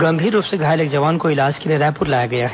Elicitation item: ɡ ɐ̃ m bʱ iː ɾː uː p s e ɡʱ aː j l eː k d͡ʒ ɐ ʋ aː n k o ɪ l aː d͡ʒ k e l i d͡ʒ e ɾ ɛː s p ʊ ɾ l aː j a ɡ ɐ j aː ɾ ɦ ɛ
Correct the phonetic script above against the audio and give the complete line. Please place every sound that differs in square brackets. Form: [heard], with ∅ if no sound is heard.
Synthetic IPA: ɡ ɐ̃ m bʱ iː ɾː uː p s e ɡʱ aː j l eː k d͡ʒ ɐ ʋ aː n k o ɪ l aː d͡ʒ k e l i [∅] e ɾ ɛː [∅] p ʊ ɾ l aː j a ɡ ɐ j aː [∅] ɦ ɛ